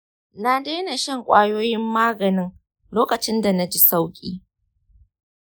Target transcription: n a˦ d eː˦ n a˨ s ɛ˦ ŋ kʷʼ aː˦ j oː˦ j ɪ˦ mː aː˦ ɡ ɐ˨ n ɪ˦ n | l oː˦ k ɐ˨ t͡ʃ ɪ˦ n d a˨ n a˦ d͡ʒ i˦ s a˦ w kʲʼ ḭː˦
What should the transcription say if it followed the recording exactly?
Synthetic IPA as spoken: n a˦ d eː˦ n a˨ ʃ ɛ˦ ŋ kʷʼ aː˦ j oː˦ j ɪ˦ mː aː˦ ɡ ɐ˨ n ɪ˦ ŋ | l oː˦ k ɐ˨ t͡ʃ ɪ˦ n d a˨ n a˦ d͡ʒ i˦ s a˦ w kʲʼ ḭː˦